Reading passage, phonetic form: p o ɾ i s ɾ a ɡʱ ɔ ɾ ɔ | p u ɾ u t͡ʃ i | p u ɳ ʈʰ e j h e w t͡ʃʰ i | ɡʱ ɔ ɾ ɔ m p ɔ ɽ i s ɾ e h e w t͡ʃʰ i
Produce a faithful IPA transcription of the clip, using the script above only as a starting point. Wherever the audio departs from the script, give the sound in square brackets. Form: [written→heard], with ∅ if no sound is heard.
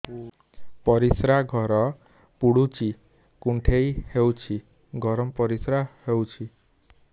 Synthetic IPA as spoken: p [o→ɔ] ɾ i s ɾ a ɡʱ ɔ ɾ ɔ | p u [ɾ→ɽ] u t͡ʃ i | [p→k] u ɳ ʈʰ e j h e w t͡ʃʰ i | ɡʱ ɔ ɾ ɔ m p ɔ [ɽ→ɾ] i s ɾ [e→a] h e w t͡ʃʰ i